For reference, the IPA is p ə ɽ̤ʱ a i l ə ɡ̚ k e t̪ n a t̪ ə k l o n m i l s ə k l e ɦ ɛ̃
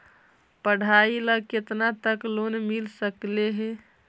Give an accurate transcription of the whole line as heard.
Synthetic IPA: p ə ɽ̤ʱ a i l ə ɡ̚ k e t̪ n a t̪ ə k l o n m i l s ə k l e ɦ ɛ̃